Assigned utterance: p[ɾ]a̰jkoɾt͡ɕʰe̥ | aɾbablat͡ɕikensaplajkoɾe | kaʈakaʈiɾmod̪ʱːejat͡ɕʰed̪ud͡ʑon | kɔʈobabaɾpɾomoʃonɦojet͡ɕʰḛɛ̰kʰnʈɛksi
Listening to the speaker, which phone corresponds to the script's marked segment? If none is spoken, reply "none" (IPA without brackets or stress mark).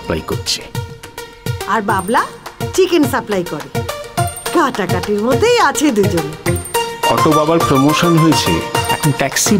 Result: l